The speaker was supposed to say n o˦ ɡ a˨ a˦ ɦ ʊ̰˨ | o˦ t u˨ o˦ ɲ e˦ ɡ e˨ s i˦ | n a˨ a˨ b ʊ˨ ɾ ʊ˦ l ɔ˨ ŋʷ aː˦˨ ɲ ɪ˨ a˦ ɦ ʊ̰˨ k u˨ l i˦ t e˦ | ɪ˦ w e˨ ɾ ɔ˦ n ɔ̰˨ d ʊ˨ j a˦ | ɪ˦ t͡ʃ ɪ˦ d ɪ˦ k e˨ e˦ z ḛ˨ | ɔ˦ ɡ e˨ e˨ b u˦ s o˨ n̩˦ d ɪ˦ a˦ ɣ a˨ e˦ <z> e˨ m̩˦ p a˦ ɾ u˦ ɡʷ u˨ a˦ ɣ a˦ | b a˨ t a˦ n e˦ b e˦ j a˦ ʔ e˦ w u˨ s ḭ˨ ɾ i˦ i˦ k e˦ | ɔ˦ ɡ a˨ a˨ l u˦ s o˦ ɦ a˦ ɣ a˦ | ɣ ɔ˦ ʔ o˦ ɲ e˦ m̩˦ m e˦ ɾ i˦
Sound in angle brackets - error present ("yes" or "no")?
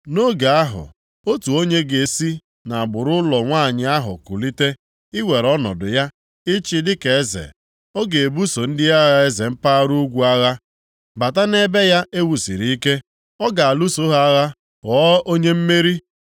no